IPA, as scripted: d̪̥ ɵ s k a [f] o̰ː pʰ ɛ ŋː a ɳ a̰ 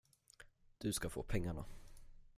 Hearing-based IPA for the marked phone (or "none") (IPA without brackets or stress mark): f